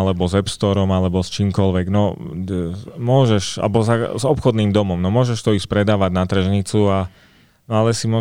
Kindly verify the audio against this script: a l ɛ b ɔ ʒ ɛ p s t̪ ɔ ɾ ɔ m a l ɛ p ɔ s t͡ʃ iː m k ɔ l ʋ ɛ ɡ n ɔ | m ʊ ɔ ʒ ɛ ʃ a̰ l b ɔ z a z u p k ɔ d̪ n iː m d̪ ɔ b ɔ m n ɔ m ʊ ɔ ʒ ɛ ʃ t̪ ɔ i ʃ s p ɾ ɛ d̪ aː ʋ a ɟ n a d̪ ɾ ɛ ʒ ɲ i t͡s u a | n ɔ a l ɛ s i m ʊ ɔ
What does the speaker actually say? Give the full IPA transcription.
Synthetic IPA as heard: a l ɛ b ɔ z ɛ p s t̪ ɔ ɾ ɔ m a l ɛ b ɔ s t͡ʃ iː m k ɔ l ʋ ɛ ɡ n ɔ | m ʊ ɔ ʒ ɛ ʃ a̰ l b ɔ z a z ɔ p x ɔ d̪ n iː m d̪ ɔ m ɔ m n ɔ m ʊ ɔ ʒ ɛ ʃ t̪ ɔ i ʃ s p ɾ ɛ d̪ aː ʋ a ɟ n a t̪ ɾ ɛ ʒ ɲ i t͡s u a | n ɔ a l ɛ s i m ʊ ɔ